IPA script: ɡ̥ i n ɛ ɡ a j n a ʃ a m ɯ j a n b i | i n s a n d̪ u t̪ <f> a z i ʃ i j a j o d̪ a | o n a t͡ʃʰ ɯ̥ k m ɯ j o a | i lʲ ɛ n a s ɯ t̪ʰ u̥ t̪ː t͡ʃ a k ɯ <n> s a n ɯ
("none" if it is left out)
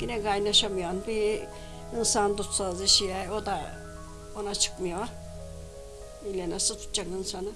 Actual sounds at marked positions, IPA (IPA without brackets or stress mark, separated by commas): s, n